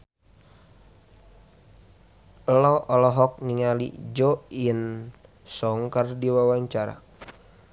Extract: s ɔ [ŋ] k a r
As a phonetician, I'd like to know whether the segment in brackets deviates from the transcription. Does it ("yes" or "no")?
no